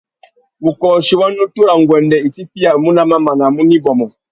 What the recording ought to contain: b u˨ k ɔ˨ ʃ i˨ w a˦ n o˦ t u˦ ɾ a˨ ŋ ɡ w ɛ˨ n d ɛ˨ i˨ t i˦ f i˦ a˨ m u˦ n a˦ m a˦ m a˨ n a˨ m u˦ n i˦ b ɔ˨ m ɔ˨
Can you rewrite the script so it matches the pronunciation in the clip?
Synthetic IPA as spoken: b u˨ k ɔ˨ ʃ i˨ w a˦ n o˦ t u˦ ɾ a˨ ŋ ɡ w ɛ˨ n d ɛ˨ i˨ t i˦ f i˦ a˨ m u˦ n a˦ m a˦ m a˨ n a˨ m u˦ n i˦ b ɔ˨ m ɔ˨